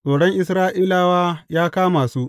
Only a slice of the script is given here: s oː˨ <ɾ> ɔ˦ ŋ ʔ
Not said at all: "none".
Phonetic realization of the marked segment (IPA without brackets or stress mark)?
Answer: ɽ